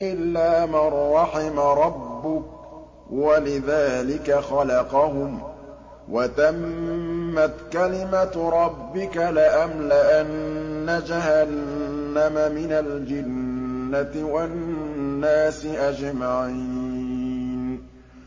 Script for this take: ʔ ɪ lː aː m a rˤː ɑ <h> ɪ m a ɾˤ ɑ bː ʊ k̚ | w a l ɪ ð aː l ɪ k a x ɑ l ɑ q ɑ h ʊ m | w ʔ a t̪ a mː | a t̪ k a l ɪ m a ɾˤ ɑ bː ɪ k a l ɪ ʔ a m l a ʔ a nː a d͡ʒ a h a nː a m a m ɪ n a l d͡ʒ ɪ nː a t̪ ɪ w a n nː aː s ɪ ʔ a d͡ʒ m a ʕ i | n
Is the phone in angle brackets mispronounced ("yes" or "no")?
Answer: yes